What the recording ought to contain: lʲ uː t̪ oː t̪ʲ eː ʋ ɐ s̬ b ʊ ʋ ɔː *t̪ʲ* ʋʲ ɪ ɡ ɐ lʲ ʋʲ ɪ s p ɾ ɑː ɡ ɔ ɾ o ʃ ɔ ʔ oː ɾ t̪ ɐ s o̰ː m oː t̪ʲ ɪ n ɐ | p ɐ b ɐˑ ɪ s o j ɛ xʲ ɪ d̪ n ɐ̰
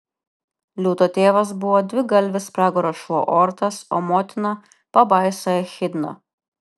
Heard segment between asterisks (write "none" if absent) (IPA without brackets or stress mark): d̪ʲ